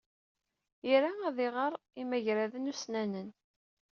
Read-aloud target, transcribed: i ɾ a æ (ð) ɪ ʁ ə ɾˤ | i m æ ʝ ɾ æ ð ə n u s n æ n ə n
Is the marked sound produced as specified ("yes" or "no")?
yes